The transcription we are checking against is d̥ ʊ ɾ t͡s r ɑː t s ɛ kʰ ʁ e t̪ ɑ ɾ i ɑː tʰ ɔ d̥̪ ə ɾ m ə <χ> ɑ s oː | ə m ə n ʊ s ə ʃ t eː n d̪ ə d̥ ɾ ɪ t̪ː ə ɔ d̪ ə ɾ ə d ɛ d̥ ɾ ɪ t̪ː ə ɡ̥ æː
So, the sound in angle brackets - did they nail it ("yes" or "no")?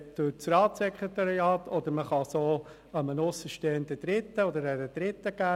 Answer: yes